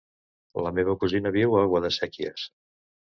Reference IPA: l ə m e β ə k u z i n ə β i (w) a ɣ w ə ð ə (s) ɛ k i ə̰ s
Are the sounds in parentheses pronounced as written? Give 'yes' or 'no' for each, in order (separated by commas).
yes, yes